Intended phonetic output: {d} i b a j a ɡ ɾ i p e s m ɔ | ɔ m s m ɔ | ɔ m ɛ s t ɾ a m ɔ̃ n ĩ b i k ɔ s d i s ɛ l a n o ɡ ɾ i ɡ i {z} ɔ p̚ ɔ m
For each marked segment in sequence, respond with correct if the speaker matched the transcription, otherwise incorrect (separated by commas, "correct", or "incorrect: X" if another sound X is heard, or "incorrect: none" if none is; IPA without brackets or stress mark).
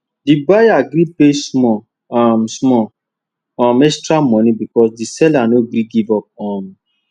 correct, incorrect: v